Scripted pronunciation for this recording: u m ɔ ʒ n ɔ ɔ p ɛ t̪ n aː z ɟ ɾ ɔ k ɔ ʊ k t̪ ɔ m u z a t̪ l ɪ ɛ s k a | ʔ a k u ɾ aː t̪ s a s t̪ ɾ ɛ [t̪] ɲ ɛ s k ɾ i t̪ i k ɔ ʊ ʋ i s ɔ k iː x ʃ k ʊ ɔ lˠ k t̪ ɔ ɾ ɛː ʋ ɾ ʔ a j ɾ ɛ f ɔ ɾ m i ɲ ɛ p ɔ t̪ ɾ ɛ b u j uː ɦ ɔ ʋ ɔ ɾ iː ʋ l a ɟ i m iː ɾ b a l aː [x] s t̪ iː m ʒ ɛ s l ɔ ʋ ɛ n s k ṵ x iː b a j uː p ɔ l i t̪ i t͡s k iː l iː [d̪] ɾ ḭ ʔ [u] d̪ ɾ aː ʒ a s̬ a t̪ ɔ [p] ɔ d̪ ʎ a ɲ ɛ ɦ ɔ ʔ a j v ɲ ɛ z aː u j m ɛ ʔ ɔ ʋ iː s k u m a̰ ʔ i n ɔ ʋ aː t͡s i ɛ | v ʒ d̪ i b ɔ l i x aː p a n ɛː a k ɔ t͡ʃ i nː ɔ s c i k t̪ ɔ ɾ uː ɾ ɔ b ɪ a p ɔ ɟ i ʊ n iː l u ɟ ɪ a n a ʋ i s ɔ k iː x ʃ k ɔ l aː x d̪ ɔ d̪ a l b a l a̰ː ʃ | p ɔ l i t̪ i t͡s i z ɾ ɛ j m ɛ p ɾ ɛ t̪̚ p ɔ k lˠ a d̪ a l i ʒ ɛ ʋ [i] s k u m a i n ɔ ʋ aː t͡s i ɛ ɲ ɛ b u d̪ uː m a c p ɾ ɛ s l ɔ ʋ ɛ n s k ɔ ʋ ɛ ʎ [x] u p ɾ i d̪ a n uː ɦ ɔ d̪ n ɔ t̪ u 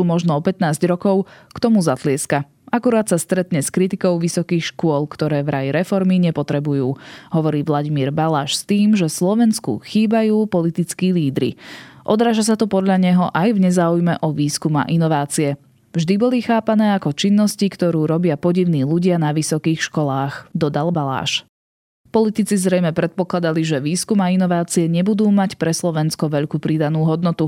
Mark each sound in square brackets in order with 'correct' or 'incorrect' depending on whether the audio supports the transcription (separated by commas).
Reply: correct, incorrect, correct, incorrect, correct, incorrect, incorrect